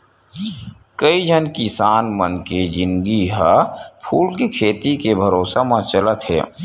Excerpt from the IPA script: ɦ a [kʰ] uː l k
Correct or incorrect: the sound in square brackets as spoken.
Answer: incorrect: pʰ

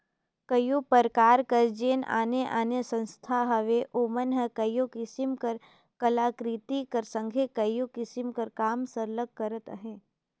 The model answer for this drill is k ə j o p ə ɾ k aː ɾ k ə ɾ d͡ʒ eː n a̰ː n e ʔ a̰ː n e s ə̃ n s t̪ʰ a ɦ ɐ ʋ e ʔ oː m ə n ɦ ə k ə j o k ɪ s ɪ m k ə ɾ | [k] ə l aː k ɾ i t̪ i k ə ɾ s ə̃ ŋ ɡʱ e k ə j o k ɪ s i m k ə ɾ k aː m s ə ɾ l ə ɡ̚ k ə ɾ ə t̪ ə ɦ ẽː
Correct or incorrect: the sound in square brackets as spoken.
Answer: correct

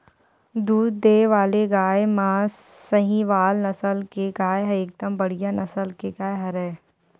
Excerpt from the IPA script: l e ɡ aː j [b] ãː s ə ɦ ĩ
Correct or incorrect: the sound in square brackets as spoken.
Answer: incorrect: m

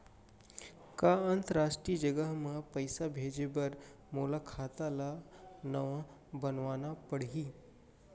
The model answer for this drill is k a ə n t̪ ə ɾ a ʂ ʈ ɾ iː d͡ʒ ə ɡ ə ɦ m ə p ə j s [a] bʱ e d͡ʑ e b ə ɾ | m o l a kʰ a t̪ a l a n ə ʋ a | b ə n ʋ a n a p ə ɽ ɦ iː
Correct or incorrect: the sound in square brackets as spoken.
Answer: correct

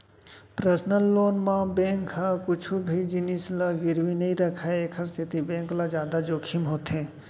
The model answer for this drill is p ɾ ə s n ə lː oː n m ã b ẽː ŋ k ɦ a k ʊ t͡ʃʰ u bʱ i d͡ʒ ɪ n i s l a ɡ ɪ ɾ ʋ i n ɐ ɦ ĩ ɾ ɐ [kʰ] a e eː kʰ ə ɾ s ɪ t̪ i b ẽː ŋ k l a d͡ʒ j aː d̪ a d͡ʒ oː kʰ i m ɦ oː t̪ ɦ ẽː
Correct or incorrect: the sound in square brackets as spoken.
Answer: correct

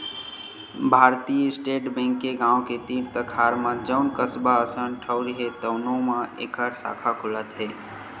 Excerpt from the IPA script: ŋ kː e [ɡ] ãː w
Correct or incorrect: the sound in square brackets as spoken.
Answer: correct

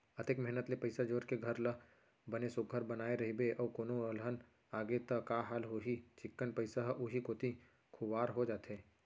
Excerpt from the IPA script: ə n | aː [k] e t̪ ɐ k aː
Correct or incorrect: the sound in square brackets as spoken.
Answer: incorrect: ɡ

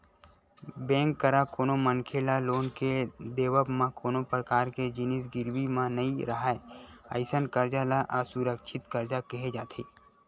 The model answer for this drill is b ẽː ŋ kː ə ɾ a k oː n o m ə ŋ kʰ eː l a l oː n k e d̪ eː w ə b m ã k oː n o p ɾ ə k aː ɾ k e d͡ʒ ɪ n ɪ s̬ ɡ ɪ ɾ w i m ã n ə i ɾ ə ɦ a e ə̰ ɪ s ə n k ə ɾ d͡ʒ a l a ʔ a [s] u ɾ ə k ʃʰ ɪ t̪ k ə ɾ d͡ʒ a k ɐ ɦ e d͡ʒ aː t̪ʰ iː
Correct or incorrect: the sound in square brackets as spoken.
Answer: correct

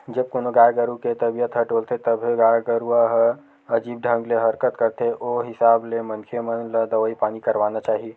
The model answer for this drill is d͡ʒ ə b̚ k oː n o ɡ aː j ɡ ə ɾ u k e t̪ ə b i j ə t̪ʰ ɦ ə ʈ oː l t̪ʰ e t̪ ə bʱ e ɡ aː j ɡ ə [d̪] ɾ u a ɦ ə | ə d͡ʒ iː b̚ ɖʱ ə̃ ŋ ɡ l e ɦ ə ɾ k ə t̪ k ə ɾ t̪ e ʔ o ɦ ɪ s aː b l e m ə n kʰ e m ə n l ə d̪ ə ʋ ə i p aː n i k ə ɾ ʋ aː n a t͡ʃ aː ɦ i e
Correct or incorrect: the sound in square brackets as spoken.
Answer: incorrect: none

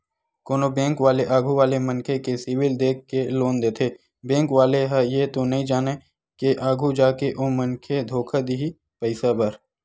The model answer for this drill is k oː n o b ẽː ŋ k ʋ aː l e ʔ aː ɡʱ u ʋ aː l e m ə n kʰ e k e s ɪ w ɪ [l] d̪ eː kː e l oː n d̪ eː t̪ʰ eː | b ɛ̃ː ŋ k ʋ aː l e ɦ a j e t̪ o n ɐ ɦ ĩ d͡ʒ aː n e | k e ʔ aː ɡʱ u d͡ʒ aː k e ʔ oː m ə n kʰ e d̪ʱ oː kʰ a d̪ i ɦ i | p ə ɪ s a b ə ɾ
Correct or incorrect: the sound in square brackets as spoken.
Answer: correct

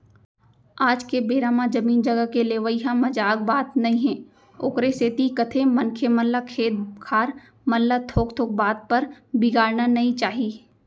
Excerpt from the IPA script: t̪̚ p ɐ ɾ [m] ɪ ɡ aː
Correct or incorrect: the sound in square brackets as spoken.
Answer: incorrect: b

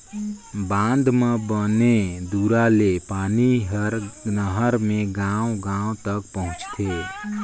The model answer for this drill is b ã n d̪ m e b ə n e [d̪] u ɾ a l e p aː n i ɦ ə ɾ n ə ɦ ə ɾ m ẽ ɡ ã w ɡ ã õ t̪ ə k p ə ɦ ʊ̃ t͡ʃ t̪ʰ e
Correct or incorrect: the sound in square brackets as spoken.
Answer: correct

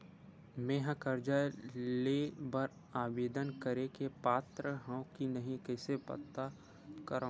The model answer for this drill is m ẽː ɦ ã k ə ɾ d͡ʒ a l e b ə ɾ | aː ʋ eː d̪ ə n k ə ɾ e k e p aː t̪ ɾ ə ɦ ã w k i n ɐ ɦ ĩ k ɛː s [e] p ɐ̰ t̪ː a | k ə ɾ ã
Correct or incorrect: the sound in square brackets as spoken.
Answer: correct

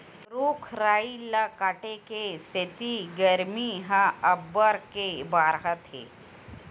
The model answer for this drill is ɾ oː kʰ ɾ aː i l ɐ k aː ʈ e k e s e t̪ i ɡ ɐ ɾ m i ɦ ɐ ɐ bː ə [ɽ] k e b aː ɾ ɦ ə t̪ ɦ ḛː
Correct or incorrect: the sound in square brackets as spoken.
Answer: incorrect: ɾ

